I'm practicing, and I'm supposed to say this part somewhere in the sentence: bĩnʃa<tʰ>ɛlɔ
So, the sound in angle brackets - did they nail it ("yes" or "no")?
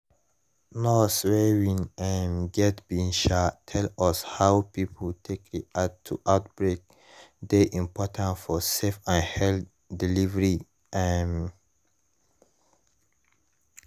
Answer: yes